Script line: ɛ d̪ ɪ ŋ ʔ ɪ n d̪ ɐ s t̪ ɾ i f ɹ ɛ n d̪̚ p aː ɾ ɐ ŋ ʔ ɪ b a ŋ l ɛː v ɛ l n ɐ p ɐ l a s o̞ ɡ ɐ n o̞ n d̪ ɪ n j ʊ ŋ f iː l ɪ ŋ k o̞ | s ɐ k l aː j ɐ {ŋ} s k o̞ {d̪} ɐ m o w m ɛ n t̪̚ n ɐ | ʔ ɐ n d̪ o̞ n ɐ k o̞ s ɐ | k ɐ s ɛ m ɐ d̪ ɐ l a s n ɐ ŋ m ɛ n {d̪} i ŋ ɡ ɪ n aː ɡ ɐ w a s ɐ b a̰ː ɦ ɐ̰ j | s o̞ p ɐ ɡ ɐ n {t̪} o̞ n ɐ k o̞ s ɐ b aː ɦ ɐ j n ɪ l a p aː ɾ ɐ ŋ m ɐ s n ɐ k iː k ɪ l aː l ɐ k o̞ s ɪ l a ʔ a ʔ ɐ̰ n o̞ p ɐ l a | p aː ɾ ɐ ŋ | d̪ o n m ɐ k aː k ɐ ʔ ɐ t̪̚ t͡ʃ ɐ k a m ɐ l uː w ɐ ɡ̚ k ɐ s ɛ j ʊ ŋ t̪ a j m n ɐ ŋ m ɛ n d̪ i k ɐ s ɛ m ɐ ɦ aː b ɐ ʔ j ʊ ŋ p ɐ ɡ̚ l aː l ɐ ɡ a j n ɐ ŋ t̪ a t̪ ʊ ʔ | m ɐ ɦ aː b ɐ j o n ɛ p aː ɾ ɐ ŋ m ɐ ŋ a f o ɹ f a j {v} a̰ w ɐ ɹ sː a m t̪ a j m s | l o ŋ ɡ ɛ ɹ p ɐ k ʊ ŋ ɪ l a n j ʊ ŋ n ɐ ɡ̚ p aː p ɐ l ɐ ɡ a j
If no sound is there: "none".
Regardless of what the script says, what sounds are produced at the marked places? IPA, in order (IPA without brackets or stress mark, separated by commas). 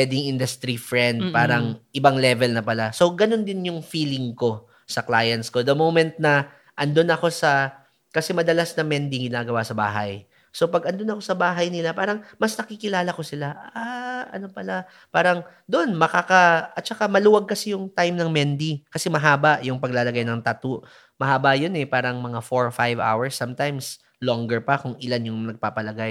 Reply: n, d̪, d̪, d̪, v